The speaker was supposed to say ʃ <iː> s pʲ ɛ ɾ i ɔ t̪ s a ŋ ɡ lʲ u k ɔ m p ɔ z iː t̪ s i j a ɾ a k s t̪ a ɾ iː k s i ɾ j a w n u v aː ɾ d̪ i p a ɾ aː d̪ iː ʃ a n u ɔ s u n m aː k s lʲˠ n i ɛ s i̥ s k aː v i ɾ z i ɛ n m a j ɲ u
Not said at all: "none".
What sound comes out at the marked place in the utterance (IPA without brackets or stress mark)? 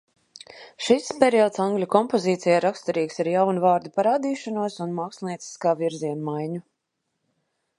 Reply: i